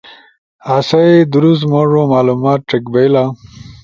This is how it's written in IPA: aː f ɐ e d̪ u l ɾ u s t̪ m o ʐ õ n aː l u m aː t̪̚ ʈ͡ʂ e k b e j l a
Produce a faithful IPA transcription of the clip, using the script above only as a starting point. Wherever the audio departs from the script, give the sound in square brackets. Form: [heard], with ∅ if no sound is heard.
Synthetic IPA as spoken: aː [s] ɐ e d̪ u [∅] ɾ u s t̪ m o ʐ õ [m] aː l u m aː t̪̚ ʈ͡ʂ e k b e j l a

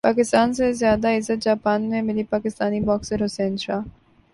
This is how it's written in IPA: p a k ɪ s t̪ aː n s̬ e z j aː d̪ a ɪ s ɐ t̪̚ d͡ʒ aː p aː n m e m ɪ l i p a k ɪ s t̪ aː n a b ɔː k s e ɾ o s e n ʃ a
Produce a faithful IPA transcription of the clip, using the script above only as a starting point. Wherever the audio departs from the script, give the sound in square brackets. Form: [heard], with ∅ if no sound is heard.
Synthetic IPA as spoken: p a k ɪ s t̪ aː n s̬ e z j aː d̪ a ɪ [z] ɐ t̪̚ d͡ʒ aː p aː n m e m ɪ l i p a k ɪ s t̪ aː n [i] b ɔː k s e ɾ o s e n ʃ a

